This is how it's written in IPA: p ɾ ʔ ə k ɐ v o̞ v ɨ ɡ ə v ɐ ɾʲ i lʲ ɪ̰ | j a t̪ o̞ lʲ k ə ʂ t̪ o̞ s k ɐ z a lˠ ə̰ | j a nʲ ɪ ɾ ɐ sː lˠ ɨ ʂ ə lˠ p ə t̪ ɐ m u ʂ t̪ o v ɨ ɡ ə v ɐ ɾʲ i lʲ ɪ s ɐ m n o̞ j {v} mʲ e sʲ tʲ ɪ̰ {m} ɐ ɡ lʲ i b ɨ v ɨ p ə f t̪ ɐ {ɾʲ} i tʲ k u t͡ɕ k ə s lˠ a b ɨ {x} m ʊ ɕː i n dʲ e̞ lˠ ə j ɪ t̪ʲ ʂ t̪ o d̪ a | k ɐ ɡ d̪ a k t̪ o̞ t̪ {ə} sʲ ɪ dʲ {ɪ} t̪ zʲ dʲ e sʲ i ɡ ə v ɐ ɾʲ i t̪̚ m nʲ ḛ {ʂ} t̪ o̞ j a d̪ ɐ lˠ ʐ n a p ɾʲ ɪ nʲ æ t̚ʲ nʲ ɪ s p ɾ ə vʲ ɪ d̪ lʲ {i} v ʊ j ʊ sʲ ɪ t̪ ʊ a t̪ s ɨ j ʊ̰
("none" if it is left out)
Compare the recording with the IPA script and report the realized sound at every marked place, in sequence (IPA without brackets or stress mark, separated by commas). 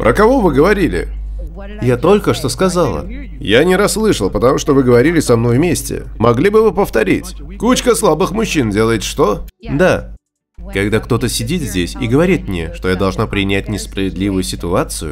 v, m, ɾʲ, x, ə, i, ʂ, i